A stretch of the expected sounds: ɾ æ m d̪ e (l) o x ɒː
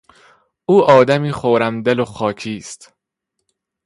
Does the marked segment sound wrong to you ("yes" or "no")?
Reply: no